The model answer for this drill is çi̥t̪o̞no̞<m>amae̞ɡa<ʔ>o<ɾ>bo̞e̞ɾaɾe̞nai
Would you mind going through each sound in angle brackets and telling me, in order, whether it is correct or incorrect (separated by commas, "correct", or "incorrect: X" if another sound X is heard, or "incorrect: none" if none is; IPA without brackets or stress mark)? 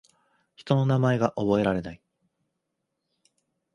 incorrect: n, correct, incorrect: none